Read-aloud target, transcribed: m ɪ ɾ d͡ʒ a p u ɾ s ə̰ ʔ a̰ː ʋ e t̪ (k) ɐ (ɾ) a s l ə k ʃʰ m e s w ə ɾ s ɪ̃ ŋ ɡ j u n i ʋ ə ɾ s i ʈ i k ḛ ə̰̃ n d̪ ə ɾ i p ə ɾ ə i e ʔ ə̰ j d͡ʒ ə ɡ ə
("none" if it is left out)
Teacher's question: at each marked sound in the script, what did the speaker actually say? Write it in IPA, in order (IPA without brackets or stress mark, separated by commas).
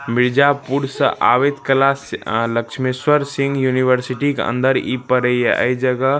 k, l